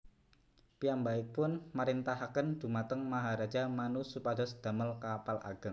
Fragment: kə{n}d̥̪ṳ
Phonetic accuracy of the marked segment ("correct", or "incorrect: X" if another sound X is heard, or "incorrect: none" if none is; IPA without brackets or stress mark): correct